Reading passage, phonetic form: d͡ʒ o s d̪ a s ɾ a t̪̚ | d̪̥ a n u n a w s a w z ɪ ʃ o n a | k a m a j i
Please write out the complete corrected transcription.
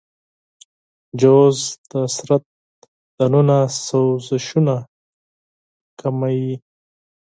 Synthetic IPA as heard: d͡ʒ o z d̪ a s ɾ a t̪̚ | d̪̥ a n u n a s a w z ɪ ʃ u n a | k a m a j i